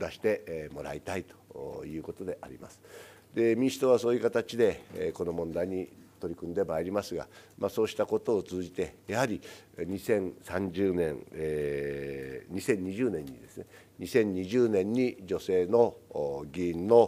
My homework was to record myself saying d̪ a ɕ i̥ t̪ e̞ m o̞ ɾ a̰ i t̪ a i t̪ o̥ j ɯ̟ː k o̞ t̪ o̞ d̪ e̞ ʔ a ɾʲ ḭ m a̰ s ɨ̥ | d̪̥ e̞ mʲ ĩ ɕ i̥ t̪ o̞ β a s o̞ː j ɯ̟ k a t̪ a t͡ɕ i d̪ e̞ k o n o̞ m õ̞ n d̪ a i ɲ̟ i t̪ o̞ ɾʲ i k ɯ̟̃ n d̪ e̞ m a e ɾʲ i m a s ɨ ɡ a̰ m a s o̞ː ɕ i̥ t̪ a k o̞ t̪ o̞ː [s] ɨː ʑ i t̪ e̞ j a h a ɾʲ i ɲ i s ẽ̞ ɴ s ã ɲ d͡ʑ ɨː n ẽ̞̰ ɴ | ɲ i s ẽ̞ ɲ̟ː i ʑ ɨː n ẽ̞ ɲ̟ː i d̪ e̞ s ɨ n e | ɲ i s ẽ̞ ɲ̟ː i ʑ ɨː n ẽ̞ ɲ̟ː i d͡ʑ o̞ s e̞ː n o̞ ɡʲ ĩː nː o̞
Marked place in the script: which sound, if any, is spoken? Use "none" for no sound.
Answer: t͡s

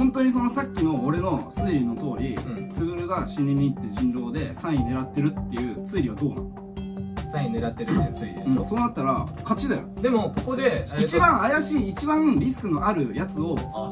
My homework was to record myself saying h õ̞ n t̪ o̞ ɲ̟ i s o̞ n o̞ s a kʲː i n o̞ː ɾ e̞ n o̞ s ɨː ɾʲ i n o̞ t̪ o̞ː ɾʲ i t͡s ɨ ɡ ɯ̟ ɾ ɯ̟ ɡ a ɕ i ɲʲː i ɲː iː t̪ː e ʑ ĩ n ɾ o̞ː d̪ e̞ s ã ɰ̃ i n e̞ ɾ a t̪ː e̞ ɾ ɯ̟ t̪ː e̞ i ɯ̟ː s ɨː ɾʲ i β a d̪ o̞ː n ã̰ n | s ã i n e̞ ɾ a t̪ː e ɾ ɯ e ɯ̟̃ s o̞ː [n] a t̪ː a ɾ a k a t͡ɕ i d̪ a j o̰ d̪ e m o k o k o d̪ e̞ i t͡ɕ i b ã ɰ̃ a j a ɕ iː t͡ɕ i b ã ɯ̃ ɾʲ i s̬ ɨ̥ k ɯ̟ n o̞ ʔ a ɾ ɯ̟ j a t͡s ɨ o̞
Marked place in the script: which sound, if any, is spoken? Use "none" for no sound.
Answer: n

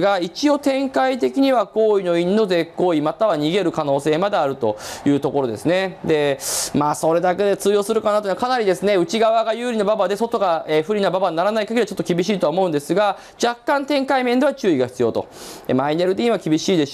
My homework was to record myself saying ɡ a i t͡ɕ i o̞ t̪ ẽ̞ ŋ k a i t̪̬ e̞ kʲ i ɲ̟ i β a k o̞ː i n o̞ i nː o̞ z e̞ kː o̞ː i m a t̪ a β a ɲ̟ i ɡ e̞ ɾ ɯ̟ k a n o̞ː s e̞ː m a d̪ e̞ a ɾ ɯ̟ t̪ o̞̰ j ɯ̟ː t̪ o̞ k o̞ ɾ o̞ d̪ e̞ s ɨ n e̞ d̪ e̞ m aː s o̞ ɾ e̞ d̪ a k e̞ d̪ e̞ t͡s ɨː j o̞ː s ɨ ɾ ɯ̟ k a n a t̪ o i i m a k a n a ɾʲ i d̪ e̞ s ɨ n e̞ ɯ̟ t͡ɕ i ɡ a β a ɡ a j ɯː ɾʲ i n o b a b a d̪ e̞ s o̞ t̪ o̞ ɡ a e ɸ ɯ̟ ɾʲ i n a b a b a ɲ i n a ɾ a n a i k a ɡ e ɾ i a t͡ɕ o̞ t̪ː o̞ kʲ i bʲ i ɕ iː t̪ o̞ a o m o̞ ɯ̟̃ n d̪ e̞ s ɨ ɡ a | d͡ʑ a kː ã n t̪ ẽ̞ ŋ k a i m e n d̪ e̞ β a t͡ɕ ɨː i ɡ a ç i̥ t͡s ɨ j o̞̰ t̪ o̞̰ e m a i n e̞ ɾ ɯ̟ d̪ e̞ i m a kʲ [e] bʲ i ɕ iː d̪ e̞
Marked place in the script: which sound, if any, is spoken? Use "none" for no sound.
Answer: i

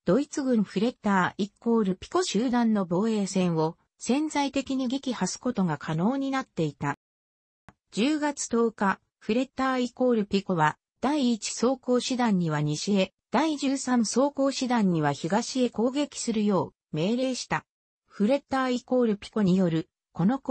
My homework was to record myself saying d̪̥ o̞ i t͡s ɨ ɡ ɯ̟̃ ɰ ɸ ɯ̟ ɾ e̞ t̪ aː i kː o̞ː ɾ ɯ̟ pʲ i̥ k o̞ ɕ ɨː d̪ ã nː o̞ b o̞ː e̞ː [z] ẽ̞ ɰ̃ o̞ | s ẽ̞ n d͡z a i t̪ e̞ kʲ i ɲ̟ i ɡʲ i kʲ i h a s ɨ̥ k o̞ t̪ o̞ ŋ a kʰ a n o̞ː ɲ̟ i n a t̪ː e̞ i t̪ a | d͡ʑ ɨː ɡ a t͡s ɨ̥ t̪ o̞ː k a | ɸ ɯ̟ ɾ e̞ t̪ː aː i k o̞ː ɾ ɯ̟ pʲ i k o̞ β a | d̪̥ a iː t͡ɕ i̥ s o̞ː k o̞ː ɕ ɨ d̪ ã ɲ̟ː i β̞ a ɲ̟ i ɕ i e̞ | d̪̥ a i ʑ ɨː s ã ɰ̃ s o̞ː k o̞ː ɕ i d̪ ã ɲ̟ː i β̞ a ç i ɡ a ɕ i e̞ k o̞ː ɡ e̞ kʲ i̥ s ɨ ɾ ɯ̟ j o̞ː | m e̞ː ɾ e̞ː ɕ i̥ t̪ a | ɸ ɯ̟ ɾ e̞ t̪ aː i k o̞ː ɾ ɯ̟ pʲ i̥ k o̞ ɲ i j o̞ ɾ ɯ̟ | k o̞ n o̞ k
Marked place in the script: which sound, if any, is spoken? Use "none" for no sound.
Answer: s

